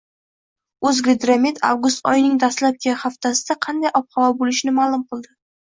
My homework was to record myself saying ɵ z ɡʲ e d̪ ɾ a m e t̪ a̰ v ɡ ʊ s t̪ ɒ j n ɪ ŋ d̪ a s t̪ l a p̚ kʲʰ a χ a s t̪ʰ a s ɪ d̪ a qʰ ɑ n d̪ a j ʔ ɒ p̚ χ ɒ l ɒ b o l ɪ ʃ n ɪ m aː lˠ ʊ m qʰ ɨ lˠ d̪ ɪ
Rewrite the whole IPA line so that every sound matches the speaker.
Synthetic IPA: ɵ z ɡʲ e d̪ ɾ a m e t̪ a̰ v ɡ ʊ s t̪ ɒ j n ɪ ŋ d̪ a s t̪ l a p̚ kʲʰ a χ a f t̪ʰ a s ɪ d̪ a qʰ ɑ n d̪ a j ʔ ɒ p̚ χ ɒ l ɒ b o l ɪ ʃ n ɪ m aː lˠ ʊ m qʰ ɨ lˠ d̪ ɪ